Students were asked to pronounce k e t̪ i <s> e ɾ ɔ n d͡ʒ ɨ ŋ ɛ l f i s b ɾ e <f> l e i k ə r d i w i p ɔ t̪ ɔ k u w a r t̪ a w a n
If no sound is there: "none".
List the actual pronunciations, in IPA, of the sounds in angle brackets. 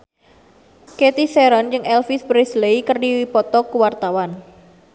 s, s

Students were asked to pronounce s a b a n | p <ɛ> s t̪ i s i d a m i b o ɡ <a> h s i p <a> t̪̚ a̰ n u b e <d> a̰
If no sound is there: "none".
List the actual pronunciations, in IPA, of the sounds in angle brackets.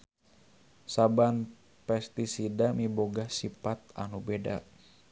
ɛ, a, a, d

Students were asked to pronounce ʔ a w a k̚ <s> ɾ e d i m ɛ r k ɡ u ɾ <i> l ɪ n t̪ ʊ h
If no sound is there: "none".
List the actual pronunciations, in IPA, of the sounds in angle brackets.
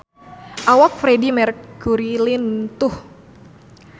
f, i

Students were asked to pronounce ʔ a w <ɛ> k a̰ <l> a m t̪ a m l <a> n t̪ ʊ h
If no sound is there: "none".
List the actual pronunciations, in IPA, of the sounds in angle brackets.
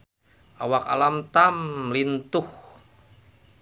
a, l, i

